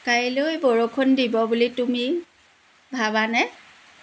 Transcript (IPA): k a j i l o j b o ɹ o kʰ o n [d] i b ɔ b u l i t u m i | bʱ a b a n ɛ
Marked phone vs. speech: correct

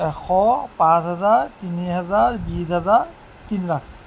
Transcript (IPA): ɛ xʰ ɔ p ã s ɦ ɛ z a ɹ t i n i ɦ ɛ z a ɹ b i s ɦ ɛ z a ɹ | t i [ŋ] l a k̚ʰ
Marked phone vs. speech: incorrect: n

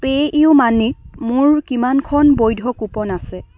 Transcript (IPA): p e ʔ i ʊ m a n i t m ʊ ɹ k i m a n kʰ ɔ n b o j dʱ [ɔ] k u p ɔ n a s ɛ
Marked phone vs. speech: correct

